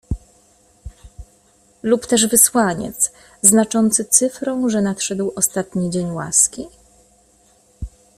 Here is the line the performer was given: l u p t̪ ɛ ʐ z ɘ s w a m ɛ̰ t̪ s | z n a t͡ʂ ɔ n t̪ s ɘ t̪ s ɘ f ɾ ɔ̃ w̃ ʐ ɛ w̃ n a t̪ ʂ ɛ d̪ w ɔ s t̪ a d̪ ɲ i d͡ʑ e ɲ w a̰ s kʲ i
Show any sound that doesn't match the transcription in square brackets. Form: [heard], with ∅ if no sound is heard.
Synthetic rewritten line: l u p t̪ ɛ ʐ [v] ɘ s w a [ɲ] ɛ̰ t̪ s | z n a t͡ʂ ɔ n t̪ s ɘ t̪ s ɘ f ɾ ɔ̃ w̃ ʐ ɛ [∅] n a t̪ ʂ ɛ d̪ w ɔ s t̪ a [t̪] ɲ i d͡ʑ e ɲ w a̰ s kʲ i